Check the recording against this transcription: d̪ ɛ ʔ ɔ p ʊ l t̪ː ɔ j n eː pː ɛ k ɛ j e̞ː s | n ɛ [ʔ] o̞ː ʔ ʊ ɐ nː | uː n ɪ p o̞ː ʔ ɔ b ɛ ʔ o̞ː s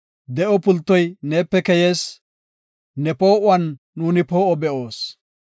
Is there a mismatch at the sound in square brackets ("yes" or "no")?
yes